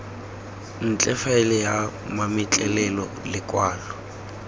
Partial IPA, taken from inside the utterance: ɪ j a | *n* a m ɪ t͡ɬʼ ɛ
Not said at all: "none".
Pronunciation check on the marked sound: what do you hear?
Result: m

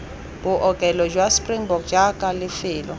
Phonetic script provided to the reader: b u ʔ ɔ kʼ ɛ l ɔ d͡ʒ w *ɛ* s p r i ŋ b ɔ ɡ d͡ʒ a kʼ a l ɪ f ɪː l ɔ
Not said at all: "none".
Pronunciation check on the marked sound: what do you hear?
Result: a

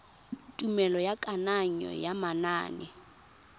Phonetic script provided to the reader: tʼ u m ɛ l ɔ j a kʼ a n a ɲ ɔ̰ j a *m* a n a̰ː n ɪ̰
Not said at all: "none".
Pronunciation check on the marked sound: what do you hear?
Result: m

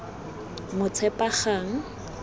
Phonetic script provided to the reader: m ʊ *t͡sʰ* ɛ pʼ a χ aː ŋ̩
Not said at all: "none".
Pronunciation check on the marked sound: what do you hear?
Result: t͡sʰ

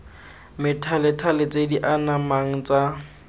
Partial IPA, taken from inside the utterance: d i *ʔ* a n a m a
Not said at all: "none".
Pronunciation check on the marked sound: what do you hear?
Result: ʔ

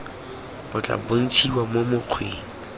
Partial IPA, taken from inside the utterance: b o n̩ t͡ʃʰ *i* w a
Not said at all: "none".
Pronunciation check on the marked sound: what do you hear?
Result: i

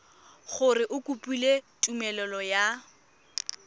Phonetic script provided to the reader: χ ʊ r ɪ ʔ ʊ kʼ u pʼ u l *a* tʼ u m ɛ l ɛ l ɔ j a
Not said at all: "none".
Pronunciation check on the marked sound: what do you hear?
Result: e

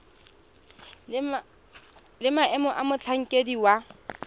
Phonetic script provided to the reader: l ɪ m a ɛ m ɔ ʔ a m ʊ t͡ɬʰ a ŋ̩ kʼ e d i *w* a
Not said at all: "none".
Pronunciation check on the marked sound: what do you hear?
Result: w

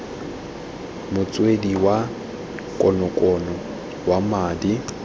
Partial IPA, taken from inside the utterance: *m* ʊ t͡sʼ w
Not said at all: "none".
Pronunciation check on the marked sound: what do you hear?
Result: m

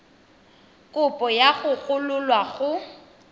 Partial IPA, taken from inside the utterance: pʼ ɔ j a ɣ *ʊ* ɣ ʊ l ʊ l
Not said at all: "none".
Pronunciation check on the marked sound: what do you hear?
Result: ʊ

